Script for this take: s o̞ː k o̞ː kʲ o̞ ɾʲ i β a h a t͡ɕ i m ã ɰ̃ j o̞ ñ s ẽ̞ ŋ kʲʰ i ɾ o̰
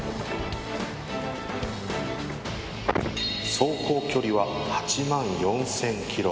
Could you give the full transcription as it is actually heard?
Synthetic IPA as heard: s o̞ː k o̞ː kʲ o̞ ɾʲ i β a h a t͡ɕ i m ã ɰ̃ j õ̞ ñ s ẽ̞ ŋ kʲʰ i ɾ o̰